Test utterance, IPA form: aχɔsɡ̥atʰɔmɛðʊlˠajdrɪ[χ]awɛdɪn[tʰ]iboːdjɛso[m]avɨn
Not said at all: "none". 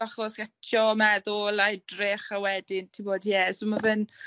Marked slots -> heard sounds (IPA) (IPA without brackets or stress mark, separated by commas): χ, tʰ, m